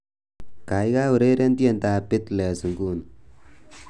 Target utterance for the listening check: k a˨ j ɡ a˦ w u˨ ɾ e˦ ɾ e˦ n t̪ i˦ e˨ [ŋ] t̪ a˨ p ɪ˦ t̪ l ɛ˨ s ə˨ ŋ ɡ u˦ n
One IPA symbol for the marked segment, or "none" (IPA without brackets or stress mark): n